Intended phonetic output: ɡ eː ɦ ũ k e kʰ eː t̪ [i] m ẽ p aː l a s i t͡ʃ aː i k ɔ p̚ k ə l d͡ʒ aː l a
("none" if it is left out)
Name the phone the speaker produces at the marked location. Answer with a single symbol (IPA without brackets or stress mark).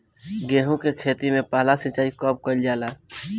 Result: i